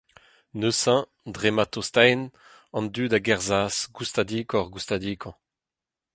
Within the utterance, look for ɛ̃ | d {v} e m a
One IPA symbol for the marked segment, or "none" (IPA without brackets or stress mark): ʁ